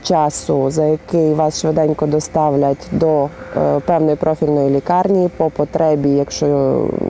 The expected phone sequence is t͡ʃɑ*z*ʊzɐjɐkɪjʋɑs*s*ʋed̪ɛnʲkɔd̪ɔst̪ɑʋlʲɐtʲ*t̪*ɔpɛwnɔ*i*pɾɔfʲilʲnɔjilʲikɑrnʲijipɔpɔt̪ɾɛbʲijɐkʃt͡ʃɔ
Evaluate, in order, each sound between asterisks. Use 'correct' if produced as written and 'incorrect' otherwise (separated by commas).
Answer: incorrect, incorrect, incorrect, incorrect